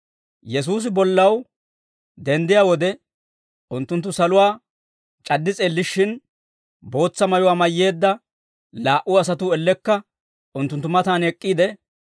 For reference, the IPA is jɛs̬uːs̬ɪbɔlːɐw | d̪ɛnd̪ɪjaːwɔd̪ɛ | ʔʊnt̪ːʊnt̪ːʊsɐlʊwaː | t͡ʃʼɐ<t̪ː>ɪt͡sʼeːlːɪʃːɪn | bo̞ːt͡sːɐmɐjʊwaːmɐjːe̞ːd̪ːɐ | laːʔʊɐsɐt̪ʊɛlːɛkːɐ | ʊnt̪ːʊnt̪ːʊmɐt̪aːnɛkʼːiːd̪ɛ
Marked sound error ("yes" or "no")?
yes